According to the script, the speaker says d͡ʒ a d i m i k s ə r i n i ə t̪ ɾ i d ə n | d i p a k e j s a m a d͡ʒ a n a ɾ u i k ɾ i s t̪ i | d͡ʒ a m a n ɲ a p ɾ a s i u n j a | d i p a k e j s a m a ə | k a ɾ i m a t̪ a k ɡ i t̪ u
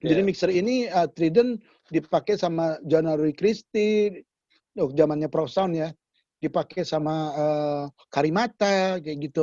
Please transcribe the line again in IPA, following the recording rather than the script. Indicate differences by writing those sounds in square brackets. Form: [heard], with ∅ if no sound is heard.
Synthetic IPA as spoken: d͡ʒ a d i m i k s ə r i n i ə t̪ ɾ i d ə n | d i p a k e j s a m a d͡ʒ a n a ɾ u i k ɾ i s t̪ i | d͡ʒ a m a n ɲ a p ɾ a s [a] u n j a | d i p a k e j s a m a ə | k a ɾ i m a t̪ a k ɡ i t̪ u